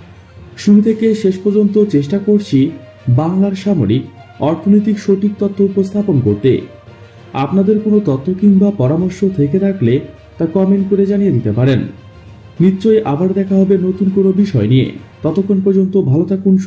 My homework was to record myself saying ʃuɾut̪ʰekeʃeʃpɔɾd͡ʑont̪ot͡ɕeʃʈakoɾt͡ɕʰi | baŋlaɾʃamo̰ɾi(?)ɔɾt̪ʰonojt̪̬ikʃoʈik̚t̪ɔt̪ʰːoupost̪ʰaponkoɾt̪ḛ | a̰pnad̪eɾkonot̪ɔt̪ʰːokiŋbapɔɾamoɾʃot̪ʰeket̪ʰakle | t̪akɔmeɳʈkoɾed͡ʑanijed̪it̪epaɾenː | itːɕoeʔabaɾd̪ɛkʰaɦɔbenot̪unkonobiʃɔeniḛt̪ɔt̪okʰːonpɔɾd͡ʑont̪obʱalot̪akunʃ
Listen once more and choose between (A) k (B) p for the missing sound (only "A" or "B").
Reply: A